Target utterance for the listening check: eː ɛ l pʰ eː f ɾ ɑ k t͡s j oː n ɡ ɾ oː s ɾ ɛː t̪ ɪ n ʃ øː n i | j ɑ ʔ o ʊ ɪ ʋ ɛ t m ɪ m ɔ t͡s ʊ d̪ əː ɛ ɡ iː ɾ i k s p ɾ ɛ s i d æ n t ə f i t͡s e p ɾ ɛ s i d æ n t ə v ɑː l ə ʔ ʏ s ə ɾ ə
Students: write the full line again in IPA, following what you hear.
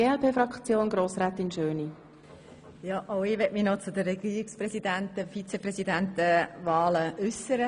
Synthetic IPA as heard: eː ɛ l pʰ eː f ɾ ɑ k t͡s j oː n ɡ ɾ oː s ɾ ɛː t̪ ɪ n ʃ øː n i | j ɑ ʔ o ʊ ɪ ʋ ɛ t m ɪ n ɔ t͡s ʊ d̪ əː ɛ ɡ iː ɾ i k s p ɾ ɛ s i d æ n t ə f i t͡s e p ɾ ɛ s i d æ n t ə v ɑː l ə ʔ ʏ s ə ɾ ə